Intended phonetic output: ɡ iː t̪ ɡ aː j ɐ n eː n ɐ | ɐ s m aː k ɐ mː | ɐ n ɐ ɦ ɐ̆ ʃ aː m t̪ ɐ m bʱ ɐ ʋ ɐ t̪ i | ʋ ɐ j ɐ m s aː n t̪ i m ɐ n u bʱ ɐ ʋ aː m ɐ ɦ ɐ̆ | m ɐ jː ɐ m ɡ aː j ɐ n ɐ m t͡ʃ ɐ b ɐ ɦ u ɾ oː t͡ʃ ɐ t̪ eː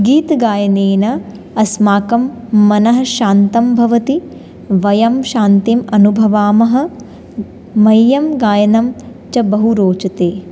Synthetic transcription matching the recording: ɡ iː t̪ ɡ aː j ɐ n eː n ɐ | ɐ s m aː k ɐ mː | ɐ n ɐ ɦ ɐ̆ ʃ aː n t̪ ɐ m bʱ ɐ ʋ ɐ t̪ i | ʋ ɐ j ɐ m ʃ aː n t̪ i m ɐ n u bʱ ɐ ʋ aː m ɐ ɦ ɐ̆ | m ɐ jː ɐ m ɡ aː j ɐ n ɐ m t͡ʃ ɐ b ɐ ɦ u ɾ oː t͡ʃ ɐ t̪ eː

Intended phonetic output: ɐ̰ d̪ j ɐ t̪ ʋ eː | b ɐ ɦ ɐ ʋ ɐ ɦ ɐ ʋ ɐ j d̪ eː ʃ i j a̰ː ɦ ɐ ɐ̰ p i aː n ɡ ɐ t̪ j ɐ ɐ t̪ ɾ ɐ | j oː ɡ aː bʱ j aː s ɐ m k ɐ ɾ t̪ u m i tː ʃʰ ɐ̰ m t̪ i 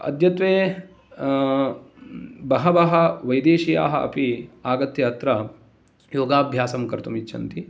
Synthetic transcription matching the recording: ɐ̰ d̪ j ɐ t̪ ʋ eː | b ɐ ɦ ɐ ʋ ɐ ɦ ɐ ʋ ɐ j d̪ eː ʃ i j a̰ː ɦ ɐ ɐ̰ p i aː ɡ ɐ t̪ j ɐ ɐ t̪ ɾ ɐ | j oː ɡ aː bʱ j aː s ɐ m k ɐ ɾ t̪ u m i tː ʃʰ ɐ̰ n t̪ i

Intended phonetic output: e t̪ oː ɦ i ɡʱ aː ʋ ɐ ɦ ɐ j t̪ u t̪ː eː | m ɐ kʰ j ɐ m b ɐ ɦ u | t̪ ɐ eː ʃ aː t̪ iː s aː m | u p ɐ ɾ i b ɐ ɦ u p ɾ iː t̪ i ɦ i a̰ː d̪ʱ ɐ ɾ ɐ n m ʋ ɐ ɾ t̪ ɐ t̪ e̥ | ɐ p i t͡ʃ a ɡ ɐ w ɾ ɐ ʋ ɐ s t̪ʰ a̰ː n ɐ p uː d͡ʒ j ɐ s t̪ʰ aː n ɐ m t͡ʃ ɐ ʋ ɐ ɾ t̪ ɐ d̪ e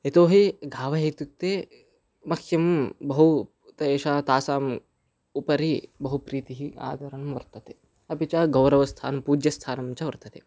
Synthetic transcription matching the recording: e t̪ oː ɦ i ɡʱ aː ʋ ɐ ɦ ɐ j t̪ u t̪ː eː | m ɐ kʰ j ɐ m b ɐ ɦ u | t̪ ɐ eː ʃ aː t̪ aː s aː m | u p ɐ ɾ i b ɐ ɦ u p ɾ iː t̪ i ɦ i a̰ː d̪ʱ ɐ ɾ ɐ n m ʋ ɐ ɾ t̪ ɐ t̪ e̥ | ɐ p i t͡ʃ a ɡ ɐ w ɾ ɐ ʋ ɐ s t̪ʰ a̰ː n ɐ p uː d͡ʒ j ɐ s t̪ʰ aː n ɐ m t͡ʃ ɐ ʋ ɐ ɾ t̪ ɐ t̪ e

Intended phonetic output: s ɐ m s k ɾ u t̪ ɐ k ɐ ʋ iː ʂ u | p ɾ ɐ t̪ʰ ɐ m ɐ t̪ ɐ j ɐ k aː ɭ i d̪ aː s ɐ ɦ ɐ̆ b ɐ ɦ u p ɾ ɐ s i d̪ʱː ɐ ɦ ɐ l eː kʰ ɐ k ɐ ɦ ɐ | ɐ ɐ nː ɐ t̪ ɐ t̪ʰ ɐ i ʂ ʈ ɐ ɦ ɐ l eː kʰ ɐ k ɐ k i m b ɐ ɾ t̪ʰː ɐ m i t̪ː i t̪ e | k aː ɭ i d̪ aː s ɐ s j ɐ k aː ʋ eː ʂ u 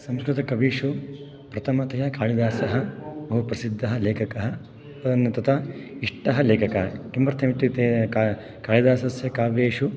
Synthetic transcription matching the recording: s ɐ m s k ɾ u t̪ ɐ k ɐ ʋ iː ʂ u | p ɾ ɐ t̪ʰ ɐ m ɐ t̪ ɐ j ɐ k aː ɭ i d̪ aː s ɐ ɦ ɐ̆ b ɐ ɦ u p ɾ ɐ s i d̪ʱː ɐ ɦ ɐ l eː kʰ ɐ k ɐ ɦ ɐ | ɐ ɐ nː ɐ t̪ ɐ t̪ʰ ɐ i ʂ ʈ ɐ ɦ ɐ l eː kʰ ɐ k ɐ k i m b ɐ ɾ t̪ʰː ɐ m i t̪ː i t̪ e | k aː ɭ i d̪ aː s ɐ s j ɐ k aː ʋ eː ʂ u

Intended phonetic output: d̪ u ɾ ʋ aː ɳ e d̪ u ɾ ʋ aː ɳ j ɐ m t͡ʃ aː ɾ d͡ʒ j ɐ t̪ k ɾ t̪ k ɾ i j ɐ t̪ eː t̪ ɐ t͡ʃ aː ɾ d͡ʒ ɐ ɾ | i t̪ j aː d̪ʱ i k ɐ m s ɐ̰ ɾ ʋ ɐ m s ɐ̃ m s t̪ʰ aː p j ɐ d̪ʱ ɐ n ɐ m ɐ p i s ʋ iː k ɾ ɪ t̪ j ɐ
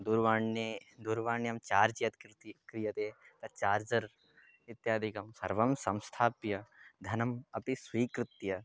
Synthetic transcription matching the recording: d̪ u ɾ ʋ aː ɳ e d̪ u ɾ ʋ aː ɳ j ɐ m t͡ʃ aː ɾ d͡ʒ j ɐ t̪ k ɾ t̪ k ɾ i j ɐ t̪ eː t̪ ɐ t͡ʃ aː ɾ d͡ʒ ɐ ɾ | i t̪ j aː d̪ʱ i k ɐ m s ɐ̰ ɾ ʋ ɐ m s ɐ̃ m s t̪ʰ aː p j ɐ d̪ʱ ɐ n ɐ m ɐ p i s ʋ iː k ɾ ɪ t̪ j ɐ

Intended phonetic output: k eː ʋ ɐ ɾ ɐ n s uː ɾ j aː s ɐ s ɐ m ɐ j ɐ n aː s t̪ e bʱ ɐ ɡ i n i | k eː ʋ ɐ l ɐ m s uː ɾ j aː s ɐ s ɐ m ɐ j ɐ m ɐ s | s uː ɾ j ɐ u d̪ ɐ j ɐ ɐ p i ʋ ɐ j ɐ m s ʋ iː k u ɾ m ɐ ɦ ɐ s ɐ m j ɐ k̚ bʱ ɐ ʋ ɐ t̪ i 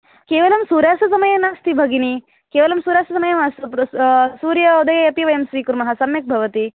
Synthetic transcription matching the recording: k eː ʋ ɐ l ɐ m s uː ɾ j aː s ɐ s ɐ m ɐ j ɐ n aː s t̪ i bʱ ɐ ɡ i n i | k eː ʋ ɐ l ɐ m s uː ɾ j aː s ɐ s ɐ m ɐ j ɐ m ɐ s | s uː ɾ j ɐ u d̪ ɐ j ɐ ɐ p i ʋ ɐ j ɐ m s ʋ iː k u ɾ m ɐ ɦ ɐ s ɐ m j ɐ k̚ bʱ ɐ ʋ ɐ t̪ i

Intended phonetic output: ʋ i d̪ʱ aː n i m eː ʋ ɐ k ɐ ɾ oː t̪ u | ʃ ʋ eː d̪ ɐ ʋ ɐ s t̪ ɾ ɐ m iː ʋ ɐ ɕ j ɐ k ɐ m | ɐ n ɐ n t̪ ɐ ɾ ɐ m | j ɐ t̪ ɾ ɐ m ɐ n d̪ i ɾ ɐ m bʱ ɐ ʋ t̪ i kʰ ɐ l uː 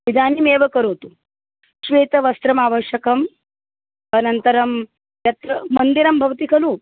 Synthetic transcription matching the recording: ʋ i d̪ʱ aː n i m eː ʋ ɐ k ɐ ɾ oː t̪ u | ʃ ʋ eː t̪ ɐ ʋ ɐ s t̪ ɾ ɐ m aː ʋ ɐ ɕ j ɐ k ɐ m | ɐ n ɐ n t̪ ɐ ɾ ɐ m | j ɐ t̪ ɾ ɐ m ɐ n d̪ i ɾ ɐ m bʱ ɐ ʋ t̪ i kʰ ɐ l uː

